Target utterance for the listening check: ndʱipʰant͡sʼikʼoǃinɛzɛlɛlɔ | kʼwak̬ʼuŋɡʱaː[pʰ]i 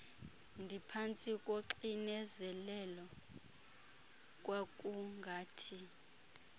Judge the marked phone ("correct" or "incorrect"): incorrect